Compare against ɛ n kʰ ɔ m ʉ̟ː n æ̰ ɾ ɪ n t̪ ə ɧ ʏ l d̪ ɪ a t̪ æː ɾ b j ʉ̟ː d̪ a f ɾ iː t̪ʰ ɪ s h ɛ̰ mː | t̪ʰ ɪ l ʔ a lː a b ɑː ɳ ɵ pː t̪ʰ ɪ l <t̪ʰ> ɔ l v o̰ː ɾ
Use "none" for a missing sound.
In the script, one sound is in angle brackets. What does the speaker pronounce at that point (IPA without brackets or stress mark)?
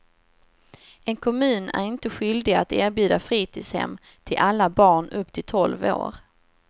t̪ʰ